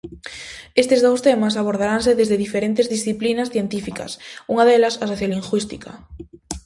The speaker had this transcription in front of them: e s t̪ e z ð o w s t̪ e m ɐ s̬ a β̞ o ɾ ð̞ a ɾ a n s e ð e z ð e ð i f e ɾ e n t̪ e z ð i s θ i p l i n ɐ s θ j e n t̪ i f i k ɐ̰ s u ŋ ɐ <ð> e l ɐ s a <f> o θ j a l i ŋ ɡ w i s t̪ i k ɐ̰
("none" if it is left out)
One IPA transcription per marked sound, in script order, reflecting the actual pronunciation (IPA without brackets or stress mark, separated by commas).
ð, s